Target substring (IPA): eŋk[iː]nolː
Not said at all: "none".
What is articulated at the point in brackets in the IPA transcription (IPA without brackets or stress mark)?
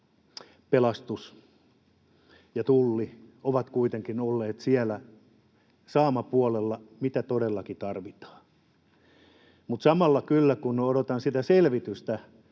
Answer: i